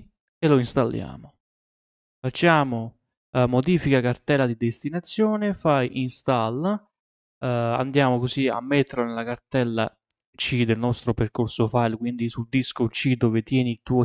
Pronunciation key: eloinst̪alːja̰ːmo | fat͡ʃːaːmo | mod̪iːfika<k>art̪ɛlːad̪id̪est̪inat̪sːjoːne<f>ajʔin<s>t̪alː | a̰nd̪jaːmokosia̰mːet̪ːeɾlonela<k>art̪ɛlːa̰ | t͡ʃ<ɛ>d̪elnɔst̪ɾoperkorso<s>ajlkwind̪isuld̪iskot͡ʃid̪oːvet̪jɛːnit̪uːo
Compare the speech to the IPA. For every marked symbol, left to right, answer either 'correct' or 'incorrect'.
correct, correct, correct, correct, incorrect: i, incorrect: f

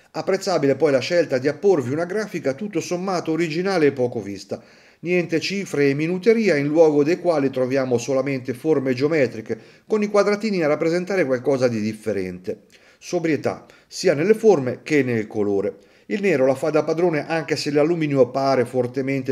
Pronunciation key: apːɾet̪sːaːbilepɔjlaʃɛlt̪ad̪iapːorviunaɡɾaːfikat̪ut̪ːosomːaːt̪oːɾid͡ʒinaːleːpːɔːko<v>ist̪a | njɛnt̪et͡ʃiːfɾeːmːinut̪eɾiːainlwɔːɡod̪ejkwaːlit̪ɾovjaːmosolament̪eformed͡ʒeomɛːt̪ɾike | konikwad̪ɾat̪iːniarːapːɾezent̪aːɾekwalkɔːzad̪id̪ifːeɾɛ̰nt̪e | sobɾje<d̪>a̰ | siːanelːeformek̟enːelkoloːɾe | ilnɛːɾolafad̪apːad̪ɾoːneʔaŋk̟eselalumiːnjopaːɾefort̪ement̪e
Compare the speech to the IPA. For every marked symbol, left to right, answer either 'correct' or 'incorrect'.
correct, incorrect: t̪

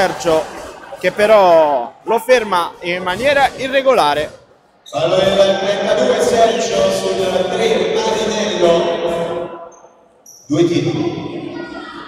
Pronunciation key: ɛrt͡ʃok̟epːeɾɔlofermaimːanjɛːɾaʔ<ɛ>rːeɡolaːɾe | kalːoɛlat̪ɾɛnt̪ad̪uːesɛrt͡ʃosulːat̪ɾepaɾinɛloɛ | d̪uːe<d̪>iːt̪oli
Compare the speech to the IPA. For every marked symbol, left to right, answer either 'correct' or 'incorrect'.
incorrect: i, incorrect: t̪

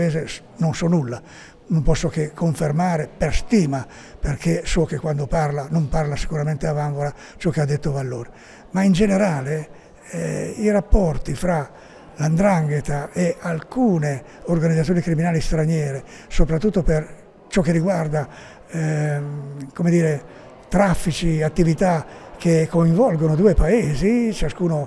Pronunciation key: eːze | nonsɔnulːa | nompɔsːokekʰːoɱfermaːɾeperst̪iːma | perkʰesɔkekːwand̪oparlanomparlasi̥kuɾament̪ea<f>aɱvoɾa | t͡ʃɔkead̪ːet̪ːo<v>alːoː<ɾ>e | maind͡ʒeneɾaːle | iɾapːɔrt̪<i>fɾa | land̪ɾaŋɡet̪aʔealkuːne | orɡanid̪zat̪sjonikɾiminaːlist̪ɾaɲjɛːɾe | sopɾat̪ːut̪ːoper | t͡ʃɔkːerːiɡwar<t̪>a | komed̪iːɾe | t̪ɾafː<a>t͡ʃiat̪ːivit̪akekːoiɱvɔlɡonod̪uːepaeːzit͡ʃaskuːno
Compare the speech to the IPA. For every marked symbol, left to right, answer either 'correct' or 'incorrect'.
incorrect: v, correct, correct, correct, incorrect: d̪, incorrect: i

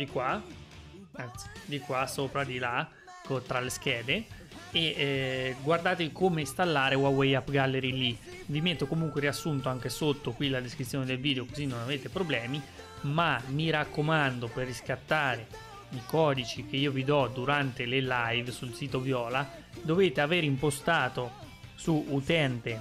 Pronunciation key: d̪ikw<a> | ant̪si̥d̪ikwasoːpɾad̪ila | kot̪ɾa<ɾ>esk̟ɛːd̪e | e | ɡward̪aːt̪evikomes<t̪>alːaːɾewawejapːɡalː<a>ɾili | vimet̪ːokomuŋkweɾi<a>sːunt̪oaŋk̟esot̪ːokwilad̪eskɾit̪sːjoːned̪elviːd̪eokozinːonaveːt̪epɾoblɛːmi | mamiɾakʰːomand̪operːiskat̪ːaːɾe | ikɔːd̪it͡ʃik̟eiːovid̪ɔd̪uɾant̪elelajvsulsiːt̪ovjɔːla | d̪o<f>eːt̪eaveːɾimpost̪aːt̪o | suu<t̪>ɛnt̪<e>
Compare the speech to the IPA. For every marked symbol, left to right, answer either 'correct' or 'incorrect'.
correct, incorrect: l, correct, incorrect: e, correct, incorrect: v, correct, correct

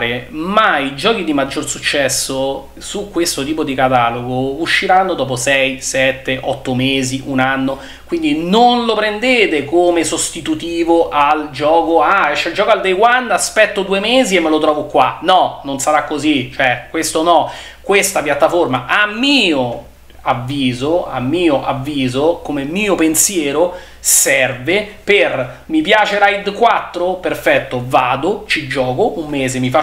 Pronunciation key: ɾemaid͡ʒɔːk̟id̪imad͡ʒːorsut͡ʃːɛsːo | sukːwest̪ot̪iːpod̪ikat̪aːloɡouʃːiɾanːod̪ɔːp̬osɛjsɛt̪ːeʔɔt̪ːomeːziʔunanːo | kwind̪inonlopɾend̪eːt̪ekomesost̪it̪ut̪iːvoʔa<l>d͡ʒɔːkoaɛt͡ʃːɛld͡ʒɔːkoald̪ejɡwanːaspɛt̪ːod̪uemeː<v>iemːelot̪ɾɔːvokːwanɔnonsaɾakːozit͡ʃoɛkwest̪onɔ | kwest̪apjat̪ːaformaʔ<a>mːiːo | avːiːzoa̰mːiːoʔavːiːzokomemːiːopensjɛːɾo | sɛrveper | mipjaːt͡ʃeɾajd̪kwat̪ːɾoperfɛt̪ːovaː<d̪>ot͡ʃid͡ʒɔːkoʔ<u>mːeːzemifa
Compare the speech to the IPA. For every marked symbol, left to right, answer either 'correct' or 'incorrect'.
correct, incorrect: z, correct, correct, correct

